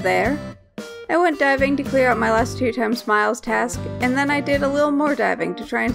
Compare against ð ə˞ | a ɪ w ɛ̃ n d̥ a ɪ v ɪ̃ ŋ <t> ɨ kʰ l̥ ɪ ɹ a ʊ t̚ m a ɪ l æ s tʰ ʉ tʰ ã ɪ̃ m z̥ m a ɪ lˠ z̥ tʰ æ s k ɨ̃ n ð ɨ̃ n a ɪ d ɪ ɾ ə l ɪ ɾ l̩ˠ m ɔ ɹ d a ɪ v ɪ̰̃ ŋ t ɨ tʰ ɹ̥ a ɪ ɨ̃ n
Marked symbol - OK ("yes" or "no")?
yes